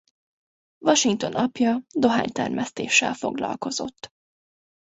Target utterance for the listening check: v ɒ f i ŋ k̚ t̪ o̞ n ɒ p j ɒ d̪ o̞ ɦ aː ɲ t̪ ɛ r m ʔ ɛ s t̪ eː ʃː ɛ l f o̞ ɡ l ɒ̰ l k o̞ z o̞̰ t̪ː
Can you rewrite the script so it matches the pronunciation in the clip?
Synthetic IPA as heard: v ɒ ʃ i ŋ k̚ t̪ o̞ n ɒ p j ɒ d̪ o̞ ɦ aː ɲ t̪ ɛ r m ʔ ɛ s t̪ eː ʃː ɛ l f o̞ ɡ l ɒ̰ l k o̞ z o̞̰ t̪ː